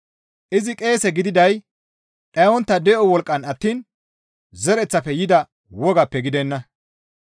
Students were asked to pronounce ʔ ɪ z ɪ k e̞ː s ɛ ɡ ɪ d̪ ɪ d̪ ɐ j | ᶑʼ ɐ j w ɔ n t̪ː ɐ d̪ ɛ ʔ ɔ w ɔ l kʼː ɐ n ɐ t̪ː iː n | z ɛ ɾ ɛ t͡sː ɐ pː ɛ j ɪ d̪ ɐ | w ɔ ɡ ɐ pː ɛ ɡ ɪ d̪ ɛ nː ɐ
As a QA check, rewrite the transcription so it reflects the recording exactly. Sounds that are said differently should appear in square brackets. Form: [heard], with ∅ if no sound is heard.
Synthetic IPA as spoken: ʔ ɪ z ɪ [kʼ] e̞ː s ɛ ɡ ɪ d̪ ɪ d̪ ɐ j | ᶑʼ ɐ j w ɔ n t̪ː ɐ d̪ ɛ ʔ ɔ w ɔ l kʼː ɐ n ɐ t̪ː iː n | z ɛ ɾ ɛ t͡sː ɐ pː ɛ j ɪ d̪ ɐ | w ɔ ɡ ɐ pː ɛ ɡ ɪ d̪ ɛ nː ɐ